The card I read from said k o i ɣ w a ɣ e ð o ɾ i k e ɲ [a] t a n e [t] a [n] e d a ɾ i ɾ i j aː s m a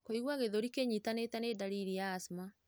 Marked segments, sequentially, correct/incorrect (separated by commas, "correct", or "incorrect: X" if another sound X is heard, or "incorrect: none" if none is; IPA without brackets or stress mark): incorrect: i, correct, correct